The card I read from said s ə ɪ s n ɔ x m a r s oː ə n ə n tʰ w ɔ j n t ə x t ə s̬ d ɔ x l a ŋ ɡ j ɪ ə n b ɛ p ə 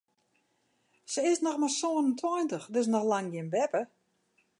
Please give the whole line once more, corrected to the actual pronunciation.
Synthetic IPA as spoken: s ə ɪ s n ɔ x m a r s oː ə n ə n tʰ w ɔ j n t ə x d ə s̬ n ɔ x l a ŋ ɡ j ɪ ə n b ɛ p ə